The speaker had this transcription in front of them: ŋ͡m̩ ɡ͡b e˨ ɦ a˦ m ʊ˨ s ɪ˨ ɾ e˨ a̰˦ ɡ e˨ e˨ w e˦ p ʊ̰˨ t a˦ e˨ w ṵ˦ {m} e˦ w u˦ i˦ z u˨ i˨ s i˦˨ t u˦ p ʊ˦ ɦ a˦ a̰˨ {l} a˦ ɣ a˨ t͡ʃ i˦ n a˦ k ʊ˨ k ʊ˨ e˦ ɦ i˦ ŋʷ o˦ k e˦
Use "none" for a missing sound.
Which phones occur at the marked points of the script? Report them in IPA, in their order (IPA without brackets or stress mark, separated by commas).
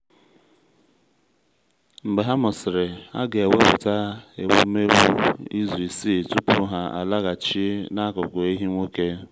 m, l